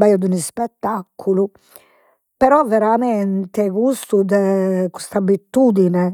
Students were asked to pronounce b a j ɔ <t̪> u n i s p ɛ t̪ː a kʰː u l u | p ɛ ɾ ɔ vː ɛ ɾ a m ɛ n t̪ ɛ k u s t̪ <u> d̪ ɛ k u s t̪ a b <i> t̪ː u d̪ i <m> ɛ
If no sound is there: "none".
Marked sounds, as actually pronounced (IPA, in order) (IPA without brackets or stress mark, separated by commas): d̪, u, i, n